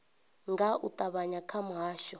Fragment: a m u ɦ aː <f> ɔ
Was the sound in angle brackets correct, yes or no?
no